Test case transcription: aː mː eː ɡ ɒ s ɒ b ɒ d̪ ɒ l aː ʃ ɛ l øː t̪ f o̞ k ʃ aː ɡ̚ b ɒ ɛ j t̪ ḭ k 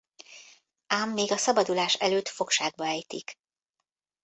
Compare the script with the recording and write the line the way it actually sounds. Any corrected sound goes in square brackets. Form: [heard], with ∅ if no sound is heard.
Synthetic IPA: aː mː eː ɡ ɒ s ɒ b ɒ d̪ [u] l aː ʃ ɛ l øː t̪ f o̞ k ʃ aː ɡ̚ b ɒ ɛ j t̪ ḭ k